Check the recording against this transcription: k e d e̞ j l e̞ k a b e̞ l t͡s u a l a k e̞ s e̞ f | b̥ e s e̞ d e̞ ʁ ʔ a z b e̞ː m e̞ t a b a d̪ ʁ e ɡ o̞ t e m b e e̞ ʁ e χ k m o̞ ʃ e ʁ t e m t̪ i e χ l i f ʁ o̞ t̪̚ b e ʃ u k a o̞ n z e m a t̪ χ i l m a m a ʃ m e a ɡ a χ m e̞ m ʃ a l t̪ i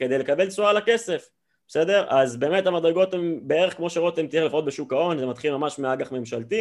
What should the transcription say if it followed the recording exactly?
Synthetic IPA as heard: k e d e̞ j l e̞ k a b e̞ l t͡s u a l a k e̞ s e̞ f | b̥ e s e̞ d e̞ ʁ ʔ a z b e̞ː m e̞ t a m a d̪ ʁ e ɡ o̞ t e m b e e̞ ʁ e χ k m o̞ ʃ e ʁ t e m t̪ i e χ l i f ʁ o̞ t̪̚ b e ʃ u k a o̞ n z e m a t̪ χ i l m a m a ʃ m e a ɡ a χ m e̞ m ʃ a l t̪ i